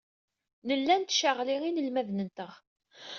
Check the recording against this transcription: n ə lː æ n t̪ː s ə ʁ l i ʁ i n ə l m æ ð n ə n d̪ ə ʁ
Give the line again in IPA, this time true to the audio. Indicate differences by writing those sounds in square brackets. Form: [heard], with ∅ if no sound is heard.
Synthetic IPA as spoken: n ə lː æ n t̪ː [ʃ] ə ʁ l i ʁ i n ə l m æ ð n ə n [t̪] ə ʁ